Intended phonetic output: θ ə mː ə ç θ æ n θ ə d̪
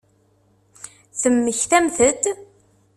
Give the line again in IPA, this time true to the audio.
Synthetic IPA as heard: θ ə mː ə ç θ æ m θ ə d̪